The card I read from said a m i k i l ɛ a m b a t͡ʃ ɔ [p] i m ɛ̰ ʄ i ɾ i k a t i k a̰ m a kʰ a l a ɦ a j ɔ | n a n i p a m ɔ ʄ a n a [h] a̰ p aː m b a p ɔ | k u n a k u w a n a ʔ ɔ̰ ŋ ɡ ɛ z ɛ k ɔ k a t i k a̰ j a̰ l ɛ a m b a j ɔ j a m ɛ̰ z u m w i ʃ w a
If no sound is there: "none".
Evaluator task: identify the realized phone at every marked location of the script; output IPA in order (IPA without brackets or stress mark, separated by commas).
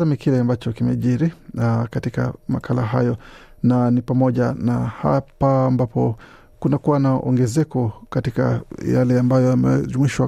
k, h